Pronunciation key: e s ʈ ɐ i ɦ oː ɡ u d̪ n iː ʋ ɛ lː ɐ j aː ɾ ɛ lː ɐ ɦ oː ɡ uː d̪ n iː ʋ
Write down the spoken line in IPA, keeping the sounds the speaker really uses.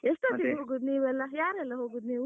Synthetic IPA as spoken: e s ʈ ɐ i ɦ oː ɡ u d̪ n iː ʋ ɛ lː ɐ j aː ɾ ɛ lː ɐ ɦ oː ɡ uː d̪ n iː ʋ